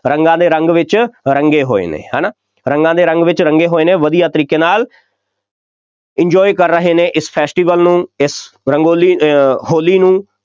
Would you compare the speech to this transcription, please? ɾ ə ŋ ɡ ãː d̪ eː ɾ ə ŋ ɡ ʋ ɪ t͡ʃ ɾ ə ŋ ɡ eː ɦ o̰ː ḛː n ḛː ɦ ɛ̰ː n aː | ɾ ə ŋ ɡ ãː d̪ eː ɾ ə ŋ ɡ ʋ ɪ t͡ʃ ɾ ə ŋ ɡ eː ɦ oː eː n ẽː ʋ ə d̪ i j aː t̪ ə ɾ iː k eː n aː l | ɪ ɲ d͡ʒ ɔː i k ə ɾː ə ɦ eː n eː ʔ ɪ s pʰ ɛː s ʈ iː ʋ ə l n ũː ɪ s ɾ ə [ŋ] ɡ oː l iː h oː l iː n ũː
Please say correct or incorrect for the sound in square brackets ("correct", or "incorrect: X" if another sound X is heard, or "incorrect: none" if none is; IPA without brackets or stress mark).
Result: correct